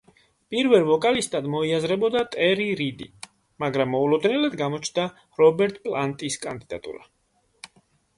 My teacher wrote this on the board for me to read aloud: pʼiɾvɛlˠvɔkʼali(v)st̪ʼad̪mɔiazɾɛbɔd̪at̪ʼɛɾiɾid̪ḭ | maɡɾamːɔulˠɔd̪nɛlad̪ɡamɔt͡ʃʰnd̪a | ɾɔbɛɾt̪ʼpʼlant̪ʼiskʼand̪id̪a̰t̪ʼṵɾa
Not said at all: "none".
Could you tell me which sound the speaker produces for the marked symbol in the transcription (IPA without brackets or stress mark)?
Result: none